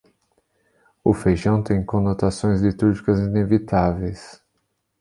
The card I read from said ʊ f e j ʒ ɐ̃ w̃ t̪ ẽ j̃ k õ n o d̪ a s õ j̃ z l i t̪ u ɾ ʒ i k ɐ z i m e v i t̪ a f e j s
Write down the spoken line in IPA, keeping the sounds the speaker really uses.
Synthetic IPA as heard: ʊ f e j ʒ ɐ̃ w̃ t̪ ẽ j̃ k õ n o t̪ a s õ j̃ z l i t̪ u ɾ ʒ i k ɐ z i n e v i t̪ a v e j s